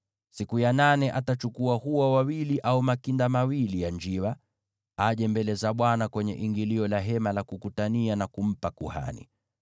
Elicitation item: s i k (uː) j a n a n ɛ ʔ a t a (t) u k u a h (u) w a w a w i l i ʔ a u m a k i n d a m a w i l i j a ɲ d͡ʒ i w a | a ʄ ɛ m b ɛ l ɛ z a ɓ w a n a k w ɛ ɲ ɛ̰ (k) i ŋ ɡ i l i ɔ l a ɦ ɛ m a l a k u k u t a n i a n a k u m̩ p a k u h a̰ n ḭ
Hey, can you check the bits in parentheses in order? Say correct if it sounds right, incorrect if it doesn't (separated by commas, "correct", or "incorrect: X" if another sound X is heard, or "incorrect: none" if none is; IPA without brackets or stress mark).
incorrect: u, incorrect: t͡ʃ, correct, incorrect: ʔ